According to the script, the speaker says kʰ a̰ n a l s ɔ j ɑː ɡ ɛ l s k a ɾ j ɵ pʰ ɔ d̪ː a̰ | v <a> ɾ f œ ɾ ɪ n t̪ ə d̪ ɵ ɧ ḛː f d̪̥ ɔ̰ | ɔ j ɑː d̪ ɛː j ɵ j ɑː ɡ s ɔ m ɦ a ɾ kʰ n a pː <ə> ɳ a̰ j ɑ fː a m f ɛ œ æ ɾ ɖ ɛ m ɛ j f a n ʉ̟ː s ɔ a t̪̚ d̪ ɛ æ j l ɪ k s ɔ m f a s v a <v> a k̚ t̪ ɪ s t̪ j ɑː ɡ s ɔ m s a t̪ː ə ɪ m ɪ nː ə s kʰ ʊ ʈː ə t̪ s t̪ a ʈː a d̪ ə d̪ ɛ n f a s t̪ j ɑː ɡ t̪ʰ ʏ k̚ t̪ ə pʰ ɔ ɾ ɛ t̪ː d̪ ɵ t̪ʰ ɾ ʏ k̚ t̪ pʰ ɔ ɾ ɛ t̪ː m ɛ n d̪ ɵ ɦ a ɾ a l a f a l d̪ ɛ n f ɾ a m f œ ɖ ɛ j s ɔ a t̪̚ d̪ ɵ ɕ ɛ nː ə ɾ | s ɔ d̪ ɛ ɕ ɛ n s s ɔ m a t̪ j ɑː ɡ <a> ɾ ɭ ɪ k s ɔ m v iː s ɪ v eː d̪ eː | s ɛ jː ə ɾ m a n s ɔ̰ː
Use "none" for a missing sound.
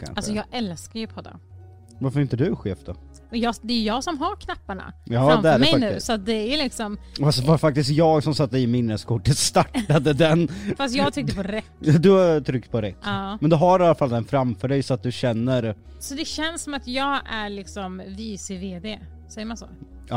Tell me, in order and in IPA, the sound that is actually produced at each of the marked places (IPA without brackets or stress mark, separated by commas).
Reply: a, a, f, æ